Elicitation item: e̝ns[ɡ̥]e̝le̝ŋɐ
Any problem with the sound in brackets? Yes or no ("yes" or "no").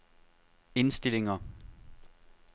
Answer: yes